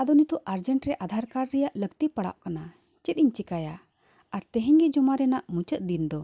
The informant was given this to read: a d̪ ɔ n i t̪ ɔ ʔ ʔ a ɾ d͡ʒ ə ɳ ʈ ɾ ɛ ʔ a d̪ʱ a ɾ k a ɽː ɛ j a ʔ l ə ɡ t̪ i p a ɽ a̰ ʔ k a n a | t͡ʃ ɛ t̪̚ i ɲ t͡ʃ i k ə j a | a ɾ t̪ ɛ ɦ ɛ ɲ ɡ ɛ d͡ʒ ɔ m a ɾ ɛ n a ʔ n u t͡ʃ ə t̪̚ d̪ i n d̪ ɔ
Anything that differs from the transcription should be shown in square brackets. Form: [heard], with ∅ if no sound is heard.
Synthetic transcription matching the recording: a d̪ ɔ n i t̪ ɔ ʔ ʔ a ɾ d͡ʒ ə ɳ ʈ ɾ ɛ ʔ a d̪ʱ a ɾ k a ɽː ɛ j a ʔ l ə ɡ t̪ i p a ɽ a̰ ʔ k a n a | t͡ʃ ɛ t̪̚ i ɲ t͡ʃ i k [a] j a | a ɾ t̪ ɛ ɦ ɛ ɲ ɡ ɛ d͡ʒ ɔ m a ɾ ɛ n a ʔ [m] u t͡ʃ ə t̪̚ d̪ i n d̪ ɔ